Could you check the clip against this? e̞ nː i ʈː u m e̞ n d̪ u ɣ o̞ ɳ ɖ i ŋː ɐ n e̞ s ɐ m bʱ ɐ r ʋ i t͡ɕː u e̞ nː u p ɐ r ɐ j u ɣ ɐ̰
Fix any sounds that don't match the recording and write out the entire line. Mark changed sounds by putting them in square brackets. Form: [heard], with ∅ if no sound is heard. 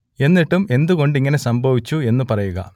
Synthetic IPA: e̞ nː i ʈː u m e̞ n d̪ u ɣ o̞ ɳ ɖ i ŋː ɐ n e̞ s ɐ m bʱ ɐ [∅] ʋ i t͡ɕː u e̞ nː u p ɐ r ɐ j u ɣ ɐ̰